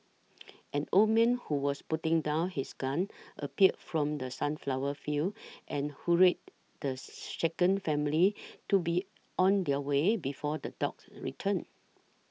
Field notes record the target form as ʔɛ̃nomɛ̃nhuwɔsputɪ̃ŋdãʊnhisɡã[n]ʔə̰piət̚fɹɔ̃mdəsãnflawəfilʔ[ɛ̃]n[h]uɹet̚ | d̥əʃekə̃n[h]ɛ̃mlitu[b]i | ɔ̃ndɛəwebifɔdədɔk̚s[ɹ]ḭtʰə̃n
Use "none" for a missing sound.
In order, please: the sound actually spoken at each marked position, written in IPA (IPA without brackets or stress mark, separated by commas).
n, ɛ̃, h, f, b, ɹ